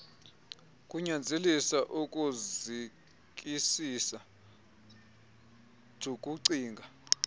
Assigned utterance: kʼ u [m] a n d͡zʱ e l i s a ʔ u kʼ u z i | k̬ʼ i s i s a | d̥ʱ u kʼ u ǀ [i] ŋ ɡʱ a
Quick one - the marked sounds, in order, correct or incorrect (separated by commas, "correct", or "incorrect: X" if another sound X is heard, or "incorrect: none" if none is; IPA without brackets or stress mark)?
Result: incorrect: ɲ, incorrect: iː